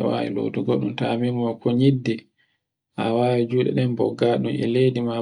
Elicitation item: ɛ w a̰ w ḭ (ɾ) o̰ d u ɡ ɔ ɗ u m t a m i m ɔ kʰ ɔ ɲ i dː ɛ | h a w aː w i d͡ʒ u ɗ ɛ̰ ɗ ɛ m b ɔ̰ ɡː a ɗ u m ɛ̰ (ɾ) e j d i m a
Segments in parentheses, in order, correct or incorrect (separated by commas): incorrect, incorrect